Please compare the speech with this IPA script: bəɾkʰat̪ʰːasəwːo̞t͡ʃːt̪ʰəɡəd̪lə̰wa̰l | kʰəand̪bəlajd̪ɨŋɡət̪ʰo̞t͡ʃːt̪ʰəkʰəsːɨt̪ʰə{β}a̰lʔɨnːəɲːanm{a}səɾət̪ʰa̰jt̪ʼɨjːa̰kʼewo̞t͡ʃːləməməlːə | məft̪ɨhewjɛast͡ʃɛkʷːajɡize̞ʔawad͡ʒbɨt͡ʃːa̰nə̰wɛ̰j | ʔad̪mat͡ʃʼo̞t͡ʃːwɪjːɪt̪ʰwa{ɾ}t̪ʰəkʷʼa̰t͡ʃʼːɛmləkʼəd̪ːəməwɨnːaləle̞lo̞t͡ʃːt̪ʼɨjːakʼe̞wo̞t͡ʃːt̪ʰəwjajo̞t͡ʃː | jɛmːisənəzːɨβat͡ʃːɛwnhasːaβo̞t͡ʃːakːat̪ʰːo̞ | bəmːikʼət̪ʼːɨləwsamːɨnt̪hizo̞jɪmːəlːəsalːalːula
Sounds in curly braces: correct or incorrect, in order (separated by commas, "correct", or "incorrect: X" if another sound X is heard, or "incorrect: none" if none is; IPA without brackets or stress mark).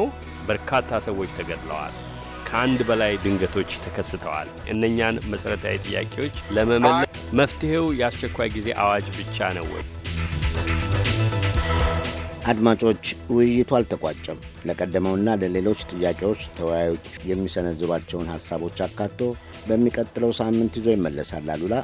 incorrect: w, incorrect: ə, incorrect: l